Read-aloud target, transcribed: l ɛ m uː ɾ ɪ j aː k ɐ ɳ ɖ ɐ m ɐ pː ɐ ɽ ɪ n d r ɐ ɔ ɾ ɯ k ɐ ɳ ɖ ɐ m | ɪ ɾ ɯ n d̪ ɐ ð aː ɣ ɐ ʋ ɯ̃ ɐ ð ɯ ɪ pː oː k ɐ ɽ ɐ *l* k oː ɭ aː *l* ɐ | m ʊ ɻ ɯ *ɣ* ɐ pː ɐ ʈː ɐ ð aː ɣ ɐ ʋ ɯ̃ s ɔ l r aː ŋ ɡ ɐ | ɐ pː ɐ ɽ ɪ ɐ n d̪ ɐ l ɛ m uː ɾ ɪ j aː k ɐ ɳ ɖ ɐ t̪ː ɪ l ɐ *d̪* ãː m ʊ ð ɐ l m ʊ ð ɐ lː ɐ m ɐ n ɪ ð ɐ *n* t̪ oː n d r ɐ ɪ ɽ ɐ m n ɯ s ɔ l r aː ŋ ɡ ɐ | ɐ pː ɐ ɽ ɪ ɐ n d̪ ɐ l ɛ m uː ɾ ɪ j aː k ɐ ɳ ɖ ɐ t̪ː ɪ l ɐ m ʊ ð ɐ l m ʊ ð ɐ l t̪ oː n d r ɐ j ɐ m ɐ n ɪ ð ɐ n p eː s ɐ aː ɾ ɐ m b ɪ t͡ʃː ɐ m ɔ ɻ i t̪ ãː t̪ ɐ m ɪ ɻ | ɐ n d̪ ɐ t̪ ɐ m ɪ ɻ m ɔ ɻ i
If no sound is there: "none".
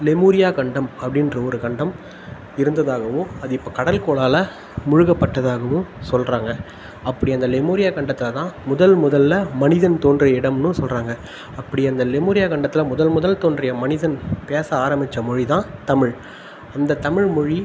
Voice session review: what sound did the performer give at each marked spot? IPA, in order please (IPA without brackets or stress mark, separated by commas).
l, l, ɣ, t̪, n